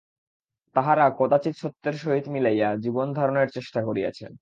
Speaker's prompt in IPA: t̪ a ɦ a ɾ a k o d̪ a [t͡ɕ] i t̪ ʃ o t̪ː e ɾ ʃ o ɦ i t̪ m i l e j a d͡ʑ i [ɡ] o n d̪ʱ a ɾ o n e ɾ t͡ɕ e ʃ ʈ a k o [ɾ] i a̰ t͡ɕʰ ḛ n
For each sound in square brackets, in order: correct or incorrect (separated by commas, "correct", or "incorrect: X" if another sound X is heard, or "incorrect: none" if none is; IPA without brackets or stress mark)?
correct, incorrect: b, correct